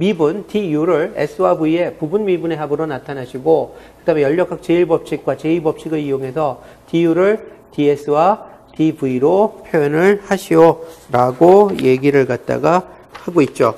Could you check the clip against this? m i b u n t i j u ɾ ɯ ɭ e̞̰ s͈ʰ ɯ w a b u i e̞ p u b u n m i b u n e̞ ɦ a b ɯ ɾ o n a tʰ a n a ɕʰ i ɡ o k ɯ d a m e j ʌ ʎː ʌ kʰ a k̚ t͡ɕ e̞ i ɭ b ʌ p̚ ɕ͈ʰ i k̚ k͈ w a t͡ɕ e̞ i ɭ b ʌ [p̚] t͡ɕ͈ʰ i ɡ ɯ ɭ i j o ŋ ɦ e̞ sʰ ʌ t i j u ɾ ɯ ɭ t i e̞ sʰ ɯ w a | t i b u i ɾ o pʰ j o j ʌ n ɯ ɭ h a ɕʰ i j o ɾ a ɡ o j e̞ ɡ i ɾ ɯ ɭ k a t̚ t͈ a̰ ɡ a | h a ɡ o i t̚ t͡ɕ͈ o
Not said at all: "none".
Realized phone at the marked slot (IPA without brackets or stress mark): p̚